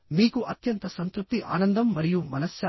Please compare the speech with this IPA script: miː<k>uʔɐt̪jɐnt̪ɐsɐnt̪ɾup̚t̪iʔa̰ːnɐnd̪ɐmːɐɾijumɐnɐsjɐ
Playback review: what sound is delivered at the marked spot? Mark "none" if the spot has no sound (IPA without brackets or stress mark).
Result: k